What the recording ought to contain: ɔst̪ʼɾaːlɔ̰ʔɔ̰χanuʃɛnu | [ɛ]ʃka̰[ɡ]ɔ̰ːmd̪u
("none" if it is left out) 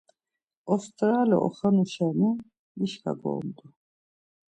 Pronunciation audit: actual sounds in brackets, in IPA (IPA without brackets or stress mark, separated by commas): i, ɡ